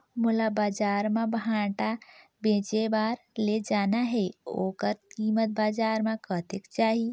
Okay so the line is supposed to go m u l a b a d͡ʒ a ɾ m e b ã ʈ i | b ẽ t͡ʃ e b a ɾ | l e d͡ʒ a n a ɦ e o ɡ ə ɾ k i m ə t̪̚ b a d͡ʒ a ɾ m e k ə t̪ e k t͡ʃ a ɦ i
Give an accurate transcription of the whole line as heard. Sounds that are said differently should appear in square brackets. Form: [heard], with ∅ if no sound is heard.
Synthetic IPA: m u l a b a d͡ʒ a ɾ m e b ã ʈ [a] | b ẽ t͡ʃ e b a ɾ | l e d͡ʒ a n a ɦ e o [k] ə ɾ k i m ə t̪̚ b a d͡ʒ a ɾ m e k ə t̪ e k t͡ʃ a ɦ i